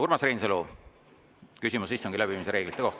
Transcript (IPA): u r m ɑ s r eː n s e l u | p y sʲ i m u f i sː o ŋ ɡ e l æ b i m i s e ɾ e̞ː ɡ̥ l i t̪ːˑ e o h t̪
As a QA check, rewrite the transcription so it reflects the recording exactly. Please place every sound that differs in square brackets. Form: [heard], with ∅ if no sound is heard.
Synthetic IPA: u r m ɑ s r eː n s e l u | [k] y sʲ i m u [s] i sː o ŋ ɡ [i] l æ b i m i s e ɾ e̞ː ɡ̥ l i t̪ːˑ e o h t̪